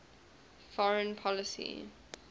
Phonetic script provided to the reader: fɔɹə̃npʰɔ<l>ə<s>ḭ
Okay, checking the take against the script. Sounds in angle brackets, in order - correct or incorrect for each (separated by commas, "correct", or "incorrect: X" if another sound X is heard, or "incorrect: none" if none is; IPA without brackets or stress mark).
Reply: correct, correct